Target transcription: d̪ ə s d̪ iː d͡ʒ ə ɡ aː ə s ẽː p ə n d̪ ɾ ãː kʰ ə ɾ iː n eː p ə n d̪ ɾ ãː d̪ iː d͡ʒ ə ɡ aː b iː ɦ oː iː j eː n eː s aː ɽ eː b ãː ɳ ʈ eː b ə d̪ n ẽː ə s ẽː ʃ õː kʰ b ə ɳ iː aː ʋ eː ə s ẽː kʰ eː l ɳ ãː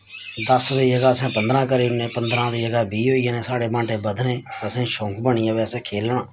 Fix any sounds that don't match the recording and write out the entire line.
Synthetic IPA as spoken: d̪ ə s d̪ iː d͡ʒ ə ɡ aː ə s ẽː p ə n d̪ ɾ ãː k ə ɾ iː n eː p ə n d̪ ɾ ãː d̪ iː d͡ʒ ə ɡ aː b iː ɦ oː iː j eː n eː s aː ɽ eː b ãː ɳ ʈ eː b ə d̪ n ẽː ə s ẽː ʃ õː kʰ b ə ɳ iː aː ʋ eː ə s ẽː kʰ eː l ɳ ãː